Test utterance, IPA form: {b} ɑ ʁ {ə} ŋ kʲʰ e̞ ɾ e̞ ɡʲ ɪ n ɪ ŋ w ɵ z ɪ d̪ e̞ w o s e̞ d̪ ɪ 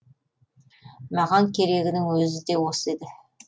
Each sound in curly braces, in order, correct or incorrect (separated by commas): incorrect, incorrect